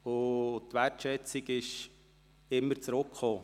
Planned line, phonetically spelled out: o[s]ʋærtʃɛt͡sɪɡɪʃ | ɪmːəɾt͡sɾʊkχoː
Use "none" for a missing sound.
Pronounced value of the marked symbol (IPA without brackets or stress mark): t